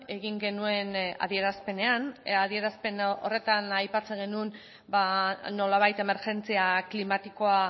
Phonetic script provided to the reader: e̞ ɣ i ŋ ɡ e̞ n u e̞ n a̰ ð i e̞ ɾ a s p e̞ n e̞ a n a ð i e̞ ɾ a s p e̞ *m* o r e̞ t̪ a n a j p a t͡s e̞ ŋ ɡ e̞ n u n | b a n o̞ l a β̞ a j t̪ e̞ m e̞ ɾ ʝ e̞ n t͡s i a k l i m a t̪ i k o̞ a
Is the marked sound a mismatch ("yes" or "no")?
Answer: yes